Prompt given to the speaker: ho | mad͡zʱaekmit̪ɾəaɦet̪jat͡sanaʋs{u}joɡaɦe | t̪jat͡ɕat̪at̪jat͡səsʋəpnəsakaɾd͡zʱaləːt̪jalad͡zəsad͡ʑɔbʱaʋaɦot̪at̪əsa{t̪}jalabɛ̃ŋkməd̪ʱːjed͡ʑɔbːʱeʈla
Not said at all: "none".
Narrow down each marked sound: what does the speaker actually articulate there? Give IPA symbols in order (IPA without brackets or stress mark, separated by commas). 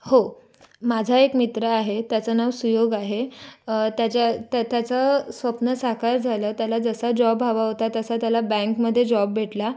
u, t̪